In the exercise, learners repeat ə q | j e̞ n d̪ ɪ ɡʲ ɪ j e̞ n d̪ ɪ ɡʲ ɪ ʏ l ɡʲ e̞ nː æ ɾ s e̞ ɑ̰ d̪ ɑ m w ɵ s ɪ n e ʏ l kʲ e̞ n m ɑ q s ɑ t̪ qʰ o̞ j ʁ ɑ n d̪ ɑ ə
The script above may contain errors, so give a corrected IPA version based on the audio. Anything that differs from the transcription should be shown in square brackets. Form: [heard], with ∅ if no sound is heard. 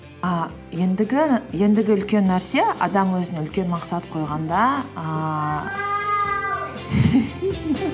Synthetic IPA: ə [∅] | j e̞ n d̪ ɪ ɡʲ ɪ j e̞ n d̪ ɪ ɡʲ ɪ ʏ l [kʲ] e̞ nː æ ɾ s e̞ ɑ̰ d̪ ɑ m w ɵ [z] ɪ n e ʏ l kʲ e̞ n m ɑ q s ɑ t̪ qʰ o̞ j ʁ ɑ n d̪ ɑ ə